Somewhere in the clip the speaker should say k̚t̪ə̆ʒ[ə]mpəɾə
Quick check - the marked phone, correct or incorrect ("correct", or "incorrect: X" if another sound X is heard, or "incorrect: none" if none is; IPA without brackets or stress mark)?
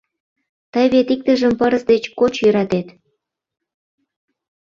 correct